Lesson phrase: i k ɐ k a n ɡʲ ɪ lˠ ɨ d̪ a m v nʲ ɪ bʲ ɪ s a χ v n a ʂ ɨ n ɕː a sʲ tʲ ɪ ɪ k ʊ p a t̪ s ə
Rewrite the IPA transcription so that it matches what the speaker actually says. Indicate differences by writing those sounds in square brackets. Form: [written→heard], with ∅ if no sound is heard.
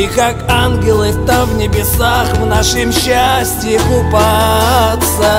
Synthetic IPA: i k [ɐ→a] k a n ɡʲ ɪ lˠ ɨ [d̪→t̪] a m v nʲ ɪ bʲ ɪ s a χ v n a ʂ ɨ [n→m] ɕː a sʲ tʲ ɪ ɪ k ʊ p a t̪ s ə